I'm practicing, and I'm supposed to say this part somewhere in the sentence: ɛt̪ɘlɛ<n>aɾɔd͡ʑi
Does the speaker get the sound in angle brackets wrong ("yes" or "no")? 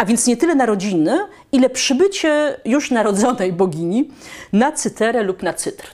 no